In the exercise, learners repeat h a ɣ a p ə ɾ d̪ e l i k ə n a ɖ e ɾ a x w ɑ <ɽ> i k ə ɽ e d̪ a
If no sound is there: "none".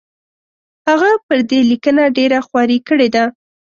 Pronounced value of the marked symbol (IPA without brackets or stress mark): ɾ